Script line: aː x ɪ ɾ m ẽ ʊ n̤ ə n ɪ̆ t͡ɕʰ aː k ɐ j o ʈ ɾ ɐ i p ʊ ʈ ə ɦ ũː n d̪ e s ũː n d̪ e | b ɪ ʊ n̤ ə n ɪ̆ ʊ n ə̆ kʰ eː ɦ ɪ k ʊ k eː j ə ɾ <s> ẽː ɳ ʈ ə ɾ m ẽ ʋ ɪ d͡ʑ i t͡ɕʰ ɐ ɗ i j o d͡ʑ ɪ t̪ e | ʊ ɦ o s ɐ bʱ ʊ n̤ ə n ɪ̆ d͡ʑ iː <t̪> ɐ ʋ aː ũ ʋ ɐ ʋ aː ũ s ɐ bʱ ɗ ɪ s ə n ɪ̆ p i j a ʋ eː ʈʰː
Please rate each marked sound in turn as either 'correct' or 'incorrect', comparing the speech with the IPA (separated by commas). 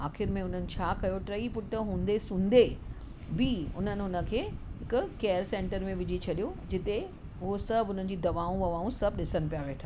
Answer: correct, incorrect